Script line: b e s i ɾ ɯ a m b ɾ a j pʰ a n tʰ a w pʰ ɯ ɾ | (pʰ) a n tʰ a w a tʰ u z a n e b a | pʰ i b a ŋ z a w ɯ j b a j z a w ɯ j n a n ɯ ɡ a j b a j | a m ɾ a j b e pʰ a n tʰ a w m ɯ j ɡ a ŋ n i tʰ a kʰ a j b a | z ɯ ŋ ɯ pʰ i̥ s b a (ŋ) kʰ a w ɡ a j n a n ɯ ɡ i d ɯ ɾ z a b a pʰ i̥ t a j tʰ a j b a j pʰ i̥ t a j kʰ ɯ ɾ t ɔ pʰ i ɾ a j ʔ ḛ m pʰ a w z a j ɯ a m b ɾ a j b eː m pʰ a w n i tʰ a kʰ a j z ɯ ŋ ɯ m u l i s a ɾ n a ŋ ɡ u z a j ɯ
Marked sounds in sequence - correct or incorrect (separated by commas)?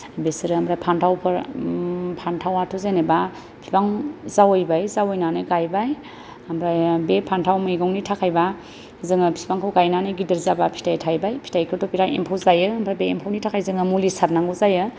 correct, correct